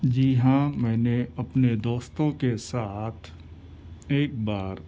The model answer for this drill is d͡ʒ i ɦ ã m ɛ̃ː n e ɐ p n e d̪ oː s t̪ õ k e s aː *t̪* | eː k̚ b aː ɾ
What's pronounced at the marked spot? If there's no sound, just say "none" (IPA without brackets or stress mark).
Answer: t̪ʰ